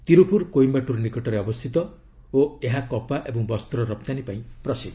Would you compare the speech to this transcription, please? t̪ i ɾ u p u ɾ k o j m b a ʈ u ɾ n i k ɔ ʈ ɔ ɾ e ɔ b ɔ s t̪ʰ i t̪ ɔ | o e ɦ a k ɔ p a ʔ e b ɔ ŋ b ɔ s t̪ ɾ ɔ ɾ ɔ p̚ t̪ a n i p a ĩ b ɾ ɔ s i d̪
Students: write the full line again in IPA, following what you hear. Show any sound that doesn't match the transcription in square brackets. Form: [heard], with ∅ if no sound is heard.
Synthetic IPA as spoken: t̪ i ɾ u p u ɾ k o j m b a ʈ u ɾ n i k ɔ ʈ ɔ ɾ e ɔ b ɔ s t̪ʰ i t̪ ɔ | o e ɦ a k ɔ p a ʔ e b ɔ ŋ b ɔ s t̪ ɾ ɔ ɾ ɔ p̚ t̪ a n i p a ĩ [p] ɾ ɔ s i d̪